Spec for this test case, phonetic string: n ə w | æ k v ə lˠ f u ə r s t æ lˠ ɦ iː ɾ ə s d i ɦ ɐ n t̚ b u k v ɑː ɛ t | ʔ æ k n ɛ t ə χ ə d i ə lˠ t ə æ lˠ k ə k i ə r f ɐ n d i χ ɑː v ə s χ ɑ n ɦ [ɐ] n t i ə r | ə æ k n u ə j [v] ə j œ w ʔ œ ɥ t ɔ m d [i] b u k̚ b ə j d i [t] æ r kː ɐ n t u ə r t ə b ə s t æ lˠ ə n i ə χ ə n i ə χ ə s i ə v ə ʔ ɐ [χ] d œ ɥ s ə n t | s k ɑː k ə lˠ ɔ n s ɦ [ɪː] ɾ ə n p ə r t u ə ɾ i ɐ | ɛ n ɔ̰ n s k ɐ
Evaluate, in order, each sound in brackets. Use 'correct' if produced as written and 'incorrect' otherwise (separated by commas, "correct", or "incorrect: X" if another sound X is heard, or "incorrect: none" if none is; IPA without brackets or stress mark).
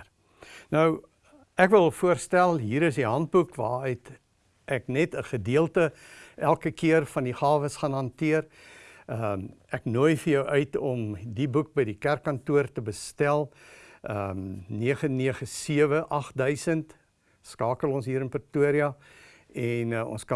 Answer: correct, incorrect: f, correct, incorrect: k, correct, incorrect: iː